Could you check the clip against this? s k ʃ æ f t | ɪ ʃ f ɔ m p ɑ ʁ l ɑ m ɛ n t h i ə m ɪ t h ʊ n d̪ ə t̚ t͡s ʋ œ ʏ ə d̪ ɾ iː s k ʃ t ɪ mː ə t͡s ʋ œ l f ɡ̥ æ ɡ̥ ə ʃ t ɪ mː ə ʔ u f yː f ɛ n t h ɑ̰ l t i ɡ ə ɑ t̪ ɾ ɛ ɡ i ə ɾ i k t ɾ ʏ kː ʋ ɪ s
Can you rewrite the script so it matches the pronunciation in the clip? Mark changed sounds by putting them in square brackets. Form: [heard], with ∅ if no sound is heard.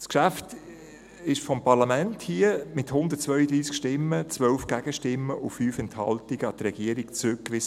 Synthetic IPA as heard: s k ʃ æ f t | ɪ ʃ f ɔ m p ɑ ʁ l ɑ m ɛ n t h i ə m ɪ t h ʊ n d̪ ə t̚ t͡s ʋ œ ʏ ə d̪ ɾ iː s k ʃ t ɪ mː ə t͡s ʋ œ l f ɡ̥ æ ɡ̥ ə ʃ t ɪ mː ə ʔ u f yː f ɛ n t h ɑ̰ l t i ɡ ə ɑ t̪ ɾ ɛ ɡ i ə ɾ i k [t͡s] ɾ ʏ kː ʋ ɪ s

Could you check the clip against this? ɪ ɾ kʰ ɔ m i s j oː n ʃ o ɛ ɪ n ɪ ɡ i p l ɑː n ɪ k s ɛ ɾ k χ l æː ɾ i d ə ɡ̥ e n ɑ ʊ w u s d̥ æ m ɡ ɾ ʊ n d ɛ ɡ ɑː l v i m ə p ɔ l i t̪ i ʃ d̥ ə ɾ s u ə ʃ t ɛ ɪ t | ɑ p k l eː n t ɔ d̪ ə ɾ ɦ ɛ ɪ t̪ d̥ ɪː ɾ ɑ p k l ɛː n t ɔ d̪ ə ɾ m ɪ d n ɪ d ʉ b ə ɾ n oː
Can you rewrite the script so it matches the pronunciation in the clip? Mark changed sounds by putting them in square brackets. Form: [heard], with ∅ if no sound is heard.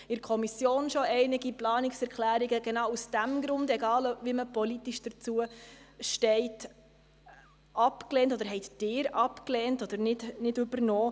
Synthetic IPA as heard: ɪ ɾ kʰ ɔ m i s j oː n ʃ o ɛ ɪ n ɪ ɡ i p l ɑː n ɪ k s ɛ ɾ k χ l æː ɾ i [ɡ] ə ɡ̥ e n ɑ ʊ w u s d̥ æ m ɡ ɾ ʊ n d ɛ ɡ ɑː l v i m ə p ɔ l i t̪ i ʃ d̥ ə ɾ [t͡s] u ə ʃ t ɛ ɪ t | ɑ p k l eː n t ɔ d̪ ə ɾ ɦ ɛ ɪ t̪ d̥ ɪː ɾ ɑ p k l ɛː n t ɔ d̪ ə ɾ [n] ɪ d n ɪ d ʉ b ə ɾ n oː

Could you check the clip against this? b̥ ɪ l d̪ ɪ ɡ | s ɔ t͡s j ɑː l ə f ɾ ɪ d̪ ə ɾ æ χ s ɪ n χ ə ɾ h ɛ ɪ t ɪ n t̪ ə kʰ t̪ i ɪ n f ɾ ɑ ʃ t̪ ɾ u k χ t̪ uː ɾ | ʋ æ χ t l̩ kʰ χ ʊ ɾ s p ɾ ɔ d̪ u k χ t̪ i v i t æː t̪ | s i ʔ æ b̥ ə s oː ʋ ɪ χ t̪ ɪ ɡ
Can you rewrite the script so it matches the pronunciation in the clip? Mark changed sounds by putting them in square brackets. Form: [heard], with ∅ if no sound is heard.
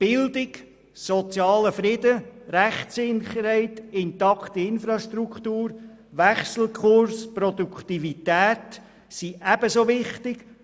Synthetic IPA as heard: b̥ ɪ l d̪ ɪ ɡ | s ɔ t͡s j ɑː l ə f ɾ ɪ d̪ ə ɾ æ χ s ɪ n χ ə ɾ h ɛ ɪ t ɪ n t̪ [ɑ] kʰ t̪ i ɪ n f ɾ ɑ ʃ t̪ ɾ u k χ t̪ uː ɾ | ʋ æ χ [s] l̩ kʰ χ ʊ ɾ s p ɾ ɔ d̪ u k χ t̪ i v i t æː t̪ | s i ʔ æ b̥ ə s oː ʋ ɪ χ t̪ ɪ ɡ

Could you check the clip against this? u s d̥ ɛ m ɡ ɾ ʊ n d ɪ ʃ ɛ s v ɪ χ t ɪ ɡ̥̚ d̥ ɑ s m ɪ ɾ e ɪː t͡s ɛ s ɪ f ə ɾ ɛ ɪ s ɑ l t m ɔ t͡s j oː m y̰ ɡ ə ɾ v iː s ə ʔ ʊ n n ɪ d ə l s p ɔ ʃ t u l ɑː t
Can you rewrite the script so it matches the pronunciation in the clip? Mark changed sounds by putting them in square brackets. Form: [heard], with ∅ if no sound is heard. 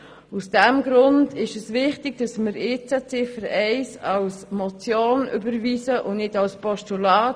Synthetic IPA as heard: u s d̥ ɛ m ɡ ɾ ʊ n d ɪ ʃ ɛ s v ɪ χ t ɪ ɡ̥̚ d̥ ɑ s m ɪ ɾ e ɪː t͡s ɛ [t͡s] ɪ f ə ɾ ɛ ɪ s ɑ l [s] m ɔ t͡s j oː [n] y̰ [b] ə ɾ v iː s ə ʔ ʊ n n ɪ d [ɑ] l s p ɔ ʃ t u l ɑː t

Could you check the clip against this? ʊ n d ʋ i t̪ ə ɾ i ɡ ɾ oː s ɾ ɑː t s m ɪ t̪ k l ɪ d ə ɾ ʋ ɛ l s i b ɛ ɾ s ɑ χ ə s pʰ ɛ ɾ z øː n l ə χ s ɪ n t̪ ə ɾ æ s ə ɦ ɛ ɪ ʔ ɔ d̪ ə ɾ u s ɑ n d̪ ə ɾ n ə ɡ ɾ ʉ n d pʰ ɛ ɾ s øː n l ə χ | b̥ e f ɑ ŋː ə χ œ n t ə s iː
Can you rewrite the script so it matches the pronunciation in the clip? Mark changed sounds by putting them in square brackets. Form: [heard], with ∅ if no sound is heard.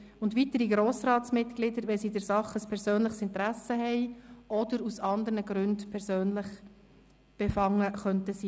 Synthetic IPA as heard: ʊ n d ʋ i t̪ ə ɾ i ɡ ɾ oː s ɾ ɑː t s m ɪ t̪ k l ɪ d ə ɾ ʋ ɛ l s i [d] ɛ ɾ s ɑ χ ə s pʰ ɛ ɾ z øː n l ə χ s ɪ n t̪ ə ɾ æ s ə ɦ ɛ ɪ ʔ ɔ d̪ ə ɾ u s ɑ n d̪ ə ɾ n ə ɡ ɾ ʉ n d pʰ ɛ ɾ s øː n l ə χ | b̥ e f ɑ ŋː ə χ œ n t ə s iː

